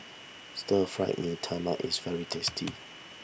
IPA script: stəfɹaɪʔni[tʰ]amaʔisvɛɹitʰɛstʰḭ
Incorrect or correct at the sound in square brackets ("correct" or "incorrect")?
correct